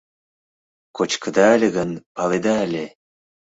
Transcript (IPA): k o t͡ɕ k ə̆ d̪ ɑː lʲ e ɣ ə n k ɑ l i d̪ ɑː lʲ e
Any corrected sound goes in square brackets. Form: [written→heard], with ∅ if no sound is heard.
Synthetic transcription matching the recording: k o t͡ɕ k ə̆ d̪ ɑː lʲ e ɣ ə n [k→p] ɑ l [i→e] d̪ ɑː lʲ e